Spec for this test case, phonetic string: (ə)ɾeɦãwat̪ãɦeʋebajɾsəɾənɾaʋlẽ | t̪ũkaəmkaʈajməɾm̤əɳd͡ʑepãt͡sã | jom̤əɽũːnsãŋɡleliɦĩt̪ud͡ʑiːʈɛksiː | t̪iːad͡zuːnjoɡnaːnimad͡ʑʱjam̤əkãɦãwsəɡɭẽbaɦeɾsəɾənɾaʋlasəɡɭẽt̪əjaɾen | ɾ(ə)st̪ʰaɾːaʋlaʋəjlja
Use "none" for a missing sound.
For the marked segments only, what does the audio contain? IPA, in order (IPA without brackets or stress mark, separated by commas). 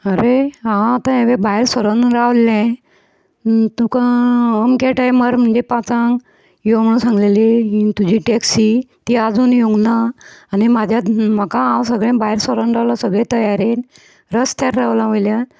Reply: ə, ə